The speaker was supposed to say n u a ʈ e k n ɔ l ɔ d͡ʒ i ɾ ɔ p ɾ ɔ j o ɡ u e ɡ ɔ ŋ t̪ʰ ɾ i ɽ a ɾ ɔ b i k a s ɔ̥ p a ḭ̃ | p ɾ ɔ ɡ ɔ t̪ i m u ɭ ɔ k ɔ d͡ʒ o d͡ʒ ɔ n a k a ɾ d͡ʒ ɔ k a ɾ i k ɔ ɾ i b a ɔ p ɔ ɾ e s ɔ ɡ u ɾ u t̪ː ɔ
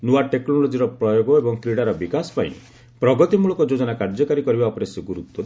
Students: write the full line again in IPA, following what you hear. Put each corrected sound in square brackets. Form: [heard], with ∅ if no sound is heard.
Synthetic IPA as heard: n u a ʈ e k n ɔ l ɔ d͡ʒ i ɾ ɔ p ɾ ɔ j o ɡ [ɔ] e [b] ɔ ŋ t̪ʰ ɾ i ɽ a ɾ ɔ b i k a s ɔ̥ p a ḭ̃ | p ɾ ɔ ɡ ɔ t̪ i m u ɭ ɔ k ɔ d͡ʒ o d͡ʒ ɔ n a k a ɾ d͡ʒ ɔ k a ɾ i k ɔ ɾ i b a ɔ p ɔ ɾ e s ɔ ɡ u ɾ u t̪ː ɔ

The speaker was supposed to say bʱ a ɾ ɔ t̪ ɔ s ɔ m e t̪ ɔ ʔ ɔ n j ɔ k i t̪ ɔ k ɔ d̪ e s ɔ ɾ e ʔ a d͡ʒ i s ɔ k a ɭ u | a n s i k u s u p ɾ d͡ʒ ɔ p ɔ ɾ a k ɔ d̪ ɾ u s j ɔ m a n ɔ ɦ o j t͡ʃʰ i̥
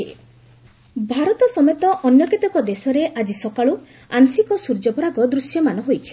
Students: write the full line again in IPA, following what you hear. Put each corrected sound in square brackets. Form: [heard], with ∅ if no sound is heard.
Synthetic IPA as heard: bʱ a ɾ ɔ t̪ ɔ s ɔ m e t̪ ɔ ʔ ɔ n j ɔ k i t̪ ɔ k ɔ d̪ e s ɔ ɾ e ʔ a d͡ʒ i s ɔ k a ɭ u | a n s i k [ɔ] s u [∅] ɾ d͡ʒ ɔ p ɔ ɾ a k ɔ d̪ ɾ u s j ɔ m a n ɔ ɦ o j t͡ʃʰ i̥

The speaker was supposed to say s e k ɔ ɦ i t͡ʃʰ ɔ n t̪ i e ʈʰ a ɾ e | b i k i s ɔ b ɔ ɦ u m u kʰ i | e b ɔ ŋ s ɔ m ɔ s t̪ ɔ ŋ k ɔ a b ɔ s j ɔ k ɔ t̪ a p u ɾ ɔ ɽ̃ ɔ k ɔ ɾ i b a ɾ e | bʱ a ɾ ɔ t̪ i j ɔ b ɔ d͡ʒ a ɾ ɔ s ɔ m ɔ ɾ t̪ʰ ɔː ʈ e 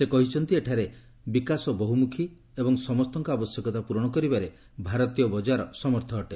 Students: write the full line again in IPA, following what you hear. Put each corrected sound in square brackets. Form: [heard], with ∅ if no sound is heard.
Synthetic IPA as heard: s e k ɔ ɦ i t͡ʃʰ ɔ n t̪ i e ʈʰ a ɾ e | b i k [a] s ɔ b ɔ ɦ u m u kʰ i | e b ɔ ŋ s ɔ m ɔ s t̪ ɔ ŋ k ɔ a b ɔ s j ɔ k ɔ t̪ a p u ɾ ɔ ɽ̃ ɔ k ɔ ɾ i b a ɾ e | bʱ a ɾ ɔ t̪ i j ɔ b ɔ d͡ʒ a ɾ ɔ s ɔ m ɔ ɾ t̪ʰ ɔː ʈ e

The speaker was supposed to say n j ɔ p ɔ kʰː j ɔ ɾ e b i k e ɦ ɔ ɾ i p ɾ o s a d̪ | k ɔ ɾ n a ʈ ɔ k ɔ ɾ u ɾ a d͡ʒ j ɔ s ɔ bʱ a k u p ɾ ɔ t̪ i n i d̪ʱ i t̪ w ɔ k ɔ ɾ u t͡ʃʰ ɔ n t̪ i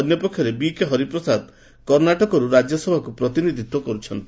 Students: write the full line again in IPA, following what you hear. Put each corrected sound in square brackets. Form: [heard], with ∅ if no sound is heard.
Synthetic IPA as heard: n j ɔ p ɔ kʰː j ɔ ɾ e b i k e ɦ ɔ ɾ i p ɾ [ɔ] s a d̪ | k ɔ ɾ n a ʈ ɔ k ɔ ɾ u ɾ a d͡ʒ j ɔ s ɔ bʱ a k u p ɾ ɔ t̪ i n i d̪ʱ i t̪ w ɔ k ɔ ɾ u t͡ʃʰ ɔ n t̪ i

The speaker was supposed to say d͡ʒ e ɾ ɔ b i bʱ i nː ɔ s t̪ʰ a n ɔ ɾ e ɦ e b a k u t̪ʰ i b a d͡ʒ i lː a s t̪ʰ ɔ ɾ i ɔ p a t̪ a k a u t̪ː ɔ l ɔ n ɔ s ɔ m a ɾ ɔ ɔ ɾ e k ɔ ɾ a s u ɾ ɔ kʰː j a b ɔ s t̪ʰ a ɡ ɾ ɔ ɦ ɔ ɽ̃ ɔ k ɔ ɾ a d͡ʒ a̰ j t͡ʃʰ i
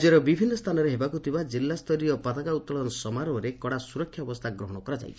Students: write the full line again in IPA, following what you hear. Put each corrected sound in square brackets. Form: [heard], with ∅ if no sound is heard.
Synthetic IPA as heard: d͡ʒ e ɾ ɔ b i bʱ i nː ɔ s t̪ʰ a n ɔ ɾ e ɦ e b a k u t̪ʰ i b a d͡ʒ i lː a s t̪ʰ ɔ ɾ i ɔ p a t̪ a k a u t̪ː ɔ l ɔ n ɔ s ɔ m a ɾ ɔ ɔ ɾ e k ɔ [ɽ] a s u ɾ ɔ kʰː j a b ɔ s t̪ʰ a ɡ ɾ ɔ ɦ ɔ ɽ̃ ɔ k ɔ ɾ a d͡ʒ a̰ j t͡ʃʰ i

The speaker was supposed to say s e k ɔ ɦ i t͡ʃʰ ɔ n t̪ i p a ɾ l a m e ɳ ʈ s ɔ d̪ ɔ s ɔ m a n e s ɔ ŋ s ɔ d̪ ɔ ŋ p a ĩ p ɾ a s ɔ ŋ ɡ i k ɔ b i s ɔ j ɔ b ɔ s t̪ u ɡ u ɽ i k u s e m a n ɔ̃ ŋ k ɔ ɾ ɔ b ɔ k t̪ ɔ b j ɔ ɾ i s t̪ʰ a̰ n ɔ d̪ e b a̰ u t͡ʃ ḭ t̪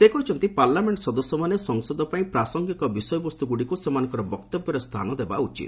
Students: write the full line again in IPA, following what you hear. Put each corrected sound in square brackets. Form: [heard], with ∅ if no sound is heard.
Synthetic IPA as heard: s e k ɔ ɦ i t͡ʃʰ ɔ n t̪ i p a ɾ l a m e ɳ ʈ s ɔ d̪ ɔ s ɔ m a n e s ɔ ŋ s ɔ d̪ ɔ [∅] p a ĩ p ɾ a s ɔ ŋ ɡ i k ɔ b i s ɔ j ɔ b ɔ s t̪ u ɡ u ɽ i k u s e m a n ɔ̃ ŋ k ɔ ɾ ɔ b ɔ k t̪ ɔ b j ɔ ɾ [e] s t̪ʰ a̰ n ɔ d̪ e b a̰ u t͡ʃ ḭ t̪

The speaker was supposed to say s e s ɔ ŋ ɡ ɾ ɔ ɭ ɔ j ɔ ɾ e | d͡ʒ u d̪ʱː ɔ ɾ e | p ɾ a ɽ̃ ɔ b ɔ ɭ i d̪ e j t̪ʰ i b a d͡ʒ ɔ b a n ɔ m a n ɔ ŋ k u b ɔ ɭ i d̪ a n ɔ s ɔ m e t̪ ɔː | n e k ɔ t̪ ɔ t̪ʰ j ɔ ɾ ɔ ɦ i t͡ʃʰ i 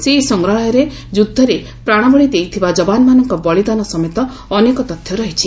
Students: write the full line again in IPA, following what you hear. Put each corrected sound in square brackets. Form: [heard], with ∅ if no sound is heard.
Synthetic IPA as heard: s e s ɔ ŋ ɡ ɾ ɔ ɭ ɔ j ɔ ɾ e | d͡ʒ u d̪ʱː ɔ ɾ e | p ɾ a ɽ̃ ɔ b ɔ ɭ i d̪ e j t̪ʰ i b a d͡ʒ ɔ b a n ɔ m a n ɔ ŋ k [ɔ] b ɔ ɭ i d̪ a n ɔ s ɔ m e t̪ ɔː | n e k ɔ t̪ ɔ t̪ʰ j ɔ ɾ ɔ ɦ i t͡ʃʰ i

